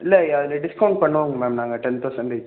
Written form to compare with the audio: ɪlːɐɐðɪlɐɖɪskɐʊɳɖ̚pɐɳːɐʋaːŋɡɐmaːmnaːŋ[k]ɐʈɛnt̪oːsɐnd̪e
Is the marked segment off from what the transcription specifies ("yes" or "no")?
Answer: yes